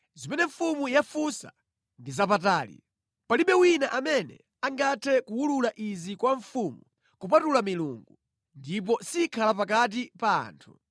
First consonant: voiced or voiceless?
voiced